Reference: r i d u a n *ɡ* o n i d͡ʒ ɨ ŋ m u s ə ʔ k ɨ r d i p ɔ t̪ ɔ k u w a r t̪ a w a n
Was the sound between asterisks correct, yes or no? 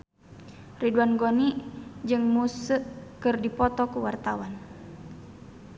yes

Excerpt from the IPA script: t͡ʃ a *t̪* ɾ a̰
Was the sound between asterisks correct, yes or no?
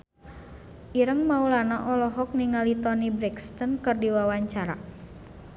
no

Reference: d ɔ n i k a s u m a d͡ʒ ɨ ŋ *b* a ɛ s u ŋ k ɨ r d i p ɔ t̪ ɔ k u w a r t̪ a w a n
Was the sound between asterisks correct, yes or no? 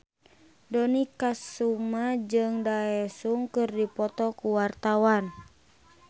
no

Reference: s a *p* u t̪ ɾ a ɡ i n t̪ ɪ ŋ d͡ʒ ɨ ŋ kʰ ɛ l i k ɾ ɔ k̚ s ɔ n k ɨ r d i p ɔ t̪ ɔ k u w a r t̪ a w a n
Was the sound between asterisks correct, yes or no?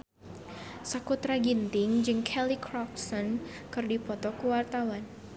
no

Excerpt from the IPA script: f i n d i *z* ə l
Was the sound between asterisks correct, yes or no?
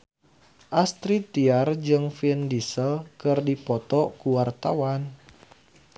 no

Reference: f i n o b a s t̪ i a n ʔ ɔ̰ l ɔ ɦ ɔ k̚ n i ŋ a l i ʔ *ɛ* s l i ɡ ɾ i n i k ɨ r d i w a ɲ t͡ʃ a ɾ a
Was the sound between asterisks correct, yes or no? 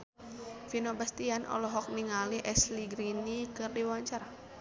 yes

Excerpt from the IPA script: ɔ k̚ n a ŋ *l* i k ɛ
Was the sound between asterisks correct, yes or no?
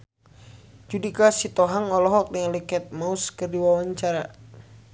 yes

